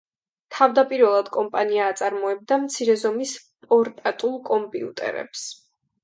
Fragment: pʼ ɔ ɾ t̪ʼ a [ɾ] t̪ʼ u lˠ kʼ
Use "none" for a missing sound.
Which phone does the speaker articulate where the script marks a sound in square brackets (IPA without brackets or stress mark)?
none